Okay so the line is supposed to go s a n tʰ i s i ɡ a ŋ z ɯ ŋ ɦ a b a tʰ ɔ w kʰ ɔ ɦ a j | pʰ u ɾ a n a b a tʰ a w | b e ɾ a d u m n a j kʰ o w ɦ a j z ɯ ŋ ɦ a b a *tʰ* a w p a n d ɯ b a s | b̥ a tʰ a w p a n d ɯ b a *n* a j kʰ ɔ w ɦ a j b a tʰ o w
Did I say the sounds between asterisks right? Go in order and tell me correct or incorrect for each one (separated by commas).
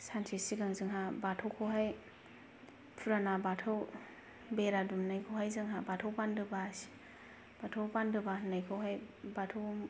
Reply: correct, correct